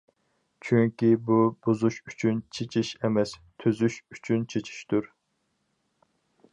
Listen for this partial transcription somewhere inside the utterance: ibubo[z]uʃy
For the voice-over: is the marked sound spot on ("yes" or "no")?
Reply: yes